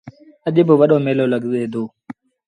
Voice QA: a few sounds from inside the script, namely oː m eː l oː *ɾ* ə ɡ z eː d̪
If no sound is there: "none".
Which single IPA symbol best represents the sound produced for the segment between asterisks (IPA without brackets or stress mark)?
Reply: l